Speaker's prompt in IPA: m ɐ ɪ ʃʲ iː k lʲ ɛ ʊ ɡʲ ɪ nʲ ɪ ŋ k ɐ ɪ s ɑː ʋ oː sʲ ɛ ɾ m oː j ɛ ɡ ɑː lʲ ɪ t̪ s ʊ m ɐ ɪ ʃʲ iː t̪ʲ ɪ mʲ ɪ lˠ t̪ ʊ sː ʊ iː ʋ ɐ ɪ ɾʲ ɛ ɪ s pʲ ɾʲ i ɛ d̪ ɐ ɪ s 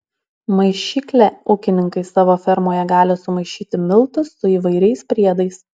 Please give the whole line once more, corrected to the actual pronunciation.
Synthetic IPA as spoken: m ɐ ɪ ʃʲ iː k lʲ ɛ ʊ kʲ ɪ nʲ ɪ ŋ k ɐ ɪ s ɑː ʋ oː fʲ ɛ ɾ m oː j ɛ ɡ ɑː lʲ ɪ s ʊ m ɐ ɪ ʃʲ iː t̪ʲ ɪ mʲ ɪ lˠ t̪ ʊ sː ʊ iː ʋ ɐ ɪ ɾʲ ɛ ɪ s pʲ ɾʲ i ɛ d̪ ɐ ɪ s